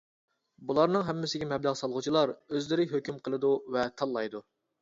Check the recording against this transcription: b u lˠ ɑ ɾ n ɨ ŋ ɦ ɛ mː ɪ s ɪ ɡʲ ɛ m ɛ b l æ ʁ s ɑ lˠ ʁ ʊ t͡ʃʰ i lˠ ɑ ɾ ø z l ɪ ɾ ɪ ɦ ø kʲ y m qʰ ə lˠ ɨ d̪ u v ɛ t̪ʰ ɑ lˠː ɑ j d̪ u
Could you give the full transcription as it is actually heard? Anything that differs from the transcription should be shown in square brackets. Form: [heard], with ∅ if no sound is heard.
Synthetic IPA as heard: b u lˠ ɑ ɾ n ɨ ŋ ɦ ɛ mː ɪ s ɪ ɡʲ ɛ m ɛ b l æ ʁ s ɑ lˠ ʁ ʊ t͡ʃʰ i lˠ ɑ ɾ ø z l ɪ ɾ ɪ ɦ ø kʲ y m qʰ ə lˠ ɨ d̪ u v ɛ t̪ʰ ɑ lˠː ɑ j d̪ u